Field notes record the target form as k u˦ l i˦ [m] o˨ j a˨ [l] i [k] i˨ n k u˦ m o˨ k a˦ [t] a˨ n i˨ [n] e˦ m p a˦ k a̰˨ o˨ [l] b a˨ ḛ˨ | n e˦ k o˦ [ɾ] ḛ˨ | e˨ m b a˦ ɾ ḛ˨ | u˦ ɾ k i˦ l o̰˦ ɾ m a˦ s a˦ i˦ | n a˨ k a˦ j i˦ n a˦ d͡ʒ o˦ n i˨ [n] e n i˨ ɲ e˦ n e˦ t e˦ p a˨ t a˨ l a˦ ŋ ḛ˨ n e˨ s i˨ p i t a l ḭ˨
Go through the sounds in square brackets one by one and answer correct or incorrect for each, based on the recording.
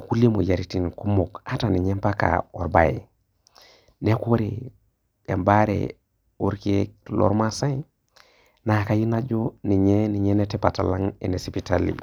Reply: correct, incorrect: ɾ, incorrect: t, correct, incorrect: ɲ, incorrect: ɾ, correct, incorrect: ɲ

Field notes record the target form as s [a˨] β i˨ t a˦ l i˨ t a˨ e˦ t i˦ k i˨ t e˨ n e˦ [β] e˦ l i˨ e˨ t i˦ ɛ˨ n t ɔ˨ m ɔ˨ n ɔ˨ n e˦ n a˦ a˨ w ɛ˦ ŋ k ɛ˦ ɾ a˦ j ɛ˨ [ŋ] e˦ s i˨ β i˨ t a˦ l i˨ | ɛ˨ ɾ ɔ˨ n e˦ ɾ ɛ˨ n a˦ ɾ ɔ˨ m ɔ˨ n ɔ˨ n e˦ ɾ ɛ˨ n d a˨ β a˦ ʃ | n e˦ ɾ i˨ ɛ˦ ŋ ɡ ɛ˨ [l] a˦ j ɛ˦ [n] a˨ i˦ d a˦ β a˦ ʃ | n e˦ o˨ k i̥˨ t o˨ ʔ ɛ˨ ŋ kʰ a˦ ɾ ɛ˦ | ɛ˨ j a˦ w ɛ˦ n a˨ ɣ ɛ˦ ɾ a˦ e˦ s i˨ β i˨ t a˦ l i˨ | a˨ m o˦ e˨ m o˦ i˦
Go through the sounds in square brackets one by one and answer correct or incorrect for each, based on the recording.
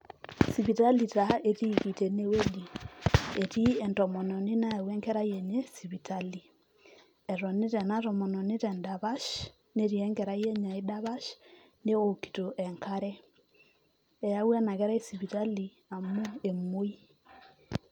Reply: incorrect: i˨, incorrect: w, incorrect: ɲ, incorrect: ɾ, incorrect: ɲ

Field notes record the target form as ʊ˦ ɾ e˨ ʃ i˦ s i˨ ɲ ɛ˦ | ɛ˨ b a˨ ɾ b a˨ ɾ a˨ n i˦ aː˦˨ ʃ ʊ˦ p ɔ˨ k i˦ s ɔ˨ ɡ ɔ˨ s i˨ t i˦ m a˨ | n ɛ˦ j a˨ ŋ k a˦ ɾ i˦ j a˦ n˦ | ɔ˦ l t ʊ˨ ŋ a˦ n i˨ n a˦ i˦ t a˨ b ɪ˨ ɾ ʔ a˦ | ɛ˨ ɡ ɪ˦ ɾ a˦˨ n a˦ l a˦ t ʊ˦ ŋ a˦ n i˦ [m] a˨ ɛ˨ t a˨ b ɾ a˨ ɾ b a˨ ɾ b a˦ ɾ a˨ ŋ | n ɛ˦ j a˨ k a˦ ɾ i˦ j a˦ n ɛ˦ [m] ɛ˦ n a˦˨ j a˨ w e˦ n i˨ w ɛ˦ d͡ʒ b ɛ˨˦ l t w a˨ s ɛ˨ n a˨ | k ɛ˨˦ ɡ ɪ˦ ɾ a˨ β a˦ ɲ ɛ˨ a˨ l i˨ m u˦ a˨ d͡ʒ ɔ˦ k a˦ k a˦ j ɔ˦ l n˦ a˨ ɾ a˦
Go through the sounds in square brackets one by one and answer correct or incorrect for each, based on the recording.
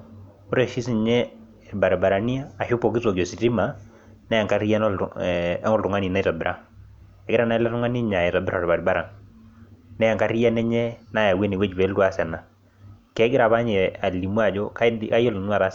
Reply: incorrect: ɲ, incorrect: ɲ

